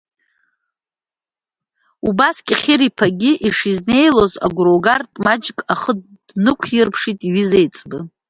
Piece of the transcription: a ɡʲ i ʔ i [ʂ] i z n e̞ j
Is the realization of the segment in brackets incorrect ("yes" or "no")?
no